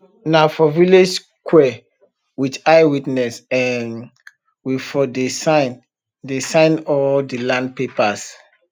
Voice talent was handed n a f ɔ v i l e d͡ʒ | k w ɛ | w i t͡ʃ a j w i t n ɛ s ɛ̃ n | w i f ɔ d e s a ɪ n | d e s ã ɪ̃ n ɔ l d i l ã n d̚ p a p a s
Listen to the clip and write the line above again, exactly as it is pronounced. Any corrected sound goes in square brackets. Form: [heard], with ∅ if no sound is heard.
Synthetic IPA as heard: n a f ɔ v i l e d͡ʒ | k w ɛ | w i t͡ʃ a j w i t n ɛ s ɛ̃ n | w i f ɔ d e s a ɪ n | d e s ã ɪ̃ n ɔ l d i l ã n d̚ p [e] p a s

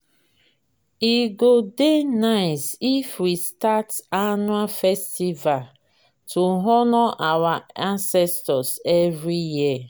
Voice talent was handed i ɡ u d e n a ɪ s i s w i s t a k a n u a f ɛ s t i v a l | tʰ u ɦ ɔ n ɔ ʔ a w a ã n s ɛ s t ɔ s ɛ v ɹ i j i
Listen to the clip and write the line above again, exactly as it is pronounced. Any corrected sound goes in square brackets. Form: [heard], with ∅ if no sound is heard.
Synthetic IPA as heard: i ɡ [o] d e n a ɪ s i [f] w i s t a [t] a n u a f ɛ s t i v a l | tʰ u ɦ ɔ n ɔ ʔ a w a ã n s ɛ s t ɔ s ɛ v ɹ i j i

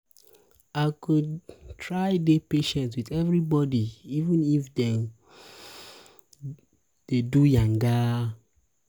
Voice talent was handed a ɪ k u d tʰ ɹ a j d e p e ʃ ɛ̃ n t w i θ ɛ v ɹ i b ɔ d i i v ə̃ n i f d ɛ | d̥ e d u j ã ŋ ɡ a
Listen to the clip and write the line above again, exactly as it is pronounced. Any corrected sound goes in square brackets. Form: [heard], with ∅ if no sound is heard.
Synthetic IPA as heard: a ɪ k u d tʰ ɹ a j d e p e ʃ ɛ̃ n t w i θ ɛ v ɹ i b ɔ d i i v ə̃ n i f d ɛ | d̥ e d u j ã ŋ ɡ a

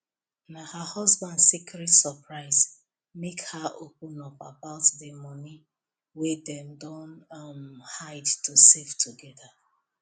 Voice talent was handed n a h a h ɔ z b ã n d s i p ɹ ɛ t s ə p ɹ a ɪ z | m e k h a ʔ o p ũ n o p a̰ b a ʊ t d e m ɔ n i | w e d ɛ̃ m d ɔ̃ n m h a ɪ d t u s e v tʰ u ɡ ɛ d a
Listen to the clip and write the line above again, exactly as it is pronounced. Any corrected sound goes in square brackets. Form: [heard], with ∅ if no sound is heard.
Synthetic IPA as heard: n a h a h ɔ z b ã n d s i [k] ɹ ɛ t s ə p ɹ a ɪ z | m e k h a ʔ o p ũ n [ɔ] p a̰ b a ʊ t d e m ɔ n i | w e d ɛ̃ m d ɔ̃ n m h a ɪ d t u s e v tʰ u ɡ ɛ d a

